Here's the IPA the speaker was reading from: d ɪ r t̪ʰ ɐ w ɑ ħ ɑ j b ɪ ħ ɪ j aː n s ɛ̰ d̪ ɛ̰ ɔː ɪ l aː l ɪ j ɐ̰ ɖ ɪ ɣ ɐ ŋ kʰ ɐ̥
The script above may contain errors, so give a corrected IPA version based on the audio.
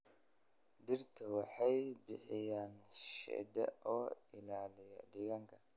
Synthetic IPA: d ɪ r t̪ʰ ɐ w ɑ ħ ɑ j b ɪ ħ ɪ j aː n ʃ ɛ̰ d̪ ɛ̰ ɔː ɪ l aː l ɪ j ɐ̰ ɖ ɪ ɣ ɐ ŋ kʰ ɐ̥

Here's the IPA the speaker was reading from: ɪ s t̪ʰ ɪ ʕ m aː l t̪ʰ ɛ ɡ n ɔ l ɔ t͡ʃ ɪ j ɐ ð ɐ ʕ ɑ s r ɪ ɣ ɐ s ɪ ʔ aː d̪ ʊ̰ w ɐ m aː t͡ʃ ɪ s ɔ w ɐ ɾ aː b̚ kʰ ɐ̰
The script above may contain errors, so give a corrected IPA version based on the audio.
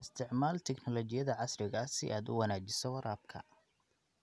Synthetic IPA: ɪ s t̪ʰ ɪ ʕ m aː l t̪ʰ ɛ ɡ n ɔ l ɔ t͡ʃ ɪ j ɐ ð ɐ ʕ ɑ s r ɪ ɣ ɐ s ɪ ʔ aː d̪ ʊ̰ w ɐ n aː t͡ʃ ɪ s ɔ w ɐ ɾ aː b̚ kʰ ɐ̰

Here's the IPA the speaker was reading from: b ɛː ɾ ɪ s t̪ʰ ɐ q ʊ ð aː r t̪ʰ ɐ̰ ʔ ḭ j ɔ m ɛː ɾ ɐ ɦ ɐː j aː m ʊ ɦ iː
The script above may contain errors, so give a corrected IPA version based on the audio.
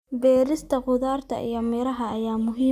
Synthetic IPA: b ɛː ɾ ɪ s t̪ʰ ɐ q ʊ ð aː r t̪ʰ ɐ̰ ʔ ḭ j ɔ m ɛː ɾ ɐ ɦ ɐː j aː m ʊ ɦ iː

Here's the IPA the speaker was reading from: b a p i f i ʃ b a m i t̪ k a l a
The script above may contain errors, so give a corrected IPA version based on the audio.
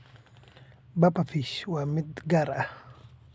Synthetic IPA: b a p a f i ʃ w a m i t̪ ɡ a ɾ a

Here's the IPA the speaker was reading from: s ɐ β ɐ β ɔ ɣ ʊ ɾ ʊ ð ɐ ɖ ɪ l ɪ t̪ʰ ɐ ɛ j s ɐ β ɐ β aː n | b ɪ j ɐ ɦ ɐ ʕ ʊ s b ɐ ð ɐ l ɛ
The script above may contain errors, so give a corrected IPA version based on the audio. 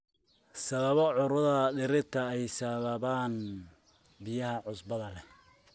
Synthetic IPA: s ɐ β ɐ β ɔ ʕ ʊ ɾ ʊ ð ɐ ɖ ɪ ɾ ɪ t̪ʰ ɐ ɛ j s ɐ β ɐ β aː n | b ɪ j ɐ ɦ ɐ ʕ ʊ s b ɐ ð ɐ l ɛ

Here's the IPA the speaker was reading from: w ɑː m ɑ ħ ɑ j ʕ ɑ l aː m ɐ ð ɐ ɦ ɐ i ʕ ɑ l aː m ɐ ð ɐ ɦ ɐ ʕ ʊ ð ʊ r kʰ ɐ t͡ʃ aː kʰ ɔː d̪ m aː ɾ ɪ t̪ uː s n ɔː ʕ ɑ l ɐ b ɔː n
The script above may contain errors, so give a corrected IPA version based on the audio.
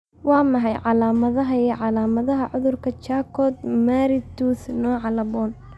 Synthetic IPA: w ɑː m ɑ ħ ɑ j ʕ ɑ l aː m ɐ ð ɐ ɦ ɐ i ʕ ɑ l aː m ɐ ð ɐ ɦ ɐ ʕ ʊ ð ʊ r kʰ ɐ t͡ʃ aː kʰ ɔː d̪ m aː ɾ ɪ t̪ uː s n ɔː ʕ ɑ l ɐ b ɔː n

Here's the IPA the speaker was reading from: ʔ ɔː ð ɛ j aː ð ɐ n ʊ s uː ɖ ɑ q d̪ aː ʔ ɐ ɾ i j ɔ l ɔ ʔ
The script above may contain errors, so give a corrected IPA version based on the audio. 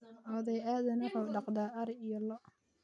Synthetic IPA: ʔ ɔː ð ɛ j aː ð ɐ n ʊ ħ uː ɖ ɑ q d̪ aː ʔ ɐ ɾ i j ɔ l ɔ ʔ

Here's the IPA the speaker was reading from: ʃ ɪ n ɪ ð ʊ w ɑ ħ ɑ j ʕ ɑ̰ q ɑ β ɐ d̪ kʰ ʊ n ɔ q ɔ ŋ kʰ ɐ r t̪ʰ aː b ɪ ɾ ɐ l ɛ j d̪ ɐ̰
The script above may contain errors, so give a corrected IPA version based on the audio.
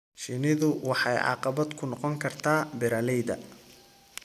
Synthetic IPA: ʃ ɪ n ɪ ð ʊ w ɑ ħ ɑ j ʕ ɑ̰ q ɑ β ɐ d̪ kʰ ʊ n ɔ q ɔ ŋ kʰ ɐ r t̪ʰ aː b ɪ ɾ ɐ l ɛ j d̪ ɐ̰

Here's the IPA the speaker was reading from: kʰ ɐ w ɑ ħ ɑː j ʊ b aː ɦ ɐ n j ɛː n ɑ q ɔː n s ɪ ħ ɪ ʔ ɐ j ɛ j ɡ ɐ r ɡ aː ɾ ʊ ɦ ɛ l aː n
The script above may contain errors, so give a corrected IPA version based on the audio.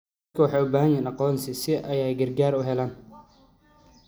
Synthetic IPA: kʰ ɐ w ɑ ħ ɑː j ʊ b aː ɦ ɐ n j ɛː n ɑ q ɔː n s ɪ s ɪ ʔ ɐ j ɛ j ɡ ɐ r ɡ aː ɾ ʊ ɦ ɛ l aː n

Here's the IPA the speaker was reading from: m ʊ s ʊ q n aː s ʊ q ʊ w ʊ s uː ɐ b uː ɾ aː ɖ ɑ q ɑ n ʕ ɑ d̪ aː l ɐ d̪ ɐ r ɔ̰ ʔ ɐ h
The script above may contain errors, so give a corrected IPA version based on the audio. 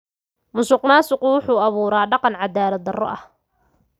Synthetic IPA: m ʊ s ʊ q n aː s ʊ q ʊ w ʊ ħ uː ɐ β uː ɾ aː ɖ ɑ q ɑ n ʕ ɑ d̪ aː l ɐ d̪ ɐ r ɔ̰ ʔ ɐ h

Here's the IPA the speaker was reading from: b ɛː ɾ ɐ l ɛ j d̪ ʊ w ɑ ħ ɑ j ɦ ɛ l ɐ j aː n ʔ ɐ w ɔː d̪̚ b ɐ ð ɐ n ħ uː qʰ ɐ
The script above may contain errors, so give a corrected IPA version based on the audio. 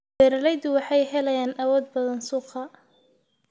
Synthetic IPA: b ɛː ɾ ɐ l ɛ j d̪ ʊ w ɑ ħ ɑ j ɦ ɛ l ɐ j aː n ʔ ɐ w ɔː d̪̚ b ɐ ð ɐ n s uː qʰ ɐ

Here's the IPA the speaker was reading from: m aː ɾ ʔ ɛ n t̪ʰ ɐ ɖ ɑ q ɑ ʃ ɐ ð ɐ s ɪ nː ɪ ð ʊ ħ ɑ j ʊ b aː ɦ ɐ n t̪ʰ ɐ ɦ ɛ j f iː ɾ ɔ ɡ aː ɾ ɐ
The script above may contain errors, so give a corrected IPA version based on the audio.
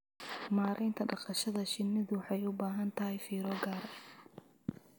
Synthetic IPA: m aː ɾ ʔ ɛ n t̪ʰ ɐ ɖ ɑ q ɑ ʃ ɐ ð ɐ ʃ ɪ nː ɪ ð ʊ ħ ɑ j ʊ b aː ɦ ɐ n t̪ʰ ɐ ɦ ɛ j f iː ɾ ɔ ɡ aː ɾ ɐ

